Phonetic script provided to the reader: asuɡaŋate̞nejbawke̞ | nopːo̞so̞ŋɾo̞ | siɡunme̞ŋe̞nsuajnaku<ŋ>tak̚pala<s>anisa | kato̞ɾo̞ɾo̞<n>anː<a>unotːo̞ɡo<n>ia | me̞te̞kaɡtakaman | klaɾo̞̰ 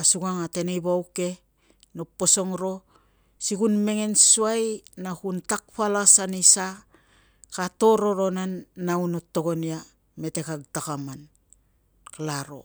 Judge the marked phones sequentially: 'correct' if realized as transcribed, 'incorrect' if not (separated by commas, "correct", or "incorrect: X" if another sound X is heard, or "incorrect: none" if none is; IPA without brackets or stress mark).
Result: incorrect: n, correct, correct, correct, correct